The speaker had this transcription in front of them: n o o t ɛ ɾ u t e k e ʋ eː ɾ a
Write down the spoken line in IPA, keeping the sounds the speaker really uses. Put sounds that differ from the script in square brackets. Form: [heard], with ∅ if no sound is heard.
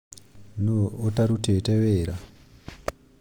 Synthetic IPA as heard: n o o t [a] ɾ u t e [t] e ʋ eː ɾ a